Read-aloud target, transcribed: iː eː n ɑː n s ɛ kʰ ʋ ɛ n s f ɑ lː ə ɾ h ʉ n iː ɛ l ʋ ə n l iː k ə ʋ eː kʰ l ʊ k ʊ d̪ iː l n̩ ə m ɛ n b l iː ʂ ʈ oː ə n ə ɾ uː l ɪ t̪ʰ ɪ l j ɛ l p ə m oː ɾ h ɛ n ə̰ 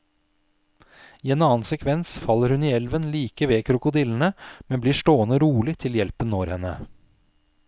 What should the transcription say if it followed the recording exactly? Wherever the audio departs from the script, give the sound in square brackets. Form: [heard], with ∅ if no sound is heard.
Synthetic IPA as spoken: iː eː n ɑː n s ɛ kʰ ʋ ɛ n s f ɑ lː ə ɾ h ʉ n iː ɛ l ʋ ə n l iː k ə ʋ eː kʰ [ɾ] ʊ k ʊ d̪ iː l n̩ ə m ɛ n b l iː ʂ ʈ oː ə n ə ɾ uː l ɪ t̪ʰ ɪ l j ɛ l p ə [n] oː ɾ h ɛ n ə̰